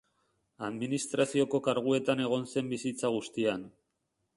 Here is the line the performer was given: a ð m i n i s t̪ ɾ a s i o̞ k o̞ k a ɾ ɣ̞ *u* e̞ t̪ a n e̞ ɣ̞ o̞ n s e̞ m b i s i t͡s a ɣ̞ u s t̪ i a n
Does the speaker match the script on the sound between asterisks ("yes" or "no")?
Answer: yes